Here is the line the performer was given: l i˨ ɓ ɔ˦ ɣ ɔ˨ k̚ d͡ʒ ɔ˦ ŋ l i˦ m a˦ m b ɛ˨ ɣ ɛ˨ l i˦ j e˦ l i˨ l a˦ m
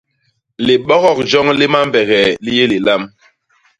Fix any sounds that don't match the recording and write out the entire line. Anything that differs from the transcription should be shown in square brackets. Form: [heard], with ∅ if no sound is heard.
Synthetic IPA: l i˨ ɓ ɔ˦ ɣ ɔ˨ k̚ d͡ʒ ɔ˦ ŋ l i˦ m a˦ m b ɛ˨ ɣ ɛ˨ l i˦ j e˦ l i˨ l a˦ m